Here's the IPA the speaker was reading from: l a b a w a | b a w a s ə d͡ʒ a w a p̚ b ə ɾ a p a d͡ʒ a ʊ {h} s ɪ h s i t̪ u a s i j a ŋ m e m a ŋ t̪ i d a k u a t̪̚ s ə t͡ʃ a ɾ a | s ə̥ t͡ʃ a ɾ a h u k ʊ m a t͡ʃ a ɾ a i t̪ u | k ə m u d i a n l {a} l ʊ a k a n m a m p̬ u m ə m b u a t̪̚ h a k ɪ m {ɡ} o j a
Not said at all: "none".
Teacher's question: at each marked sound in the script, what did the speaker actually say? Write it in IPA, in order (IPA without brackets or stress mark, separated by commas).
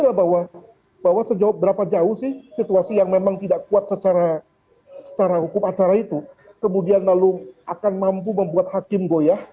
h, a, ɡ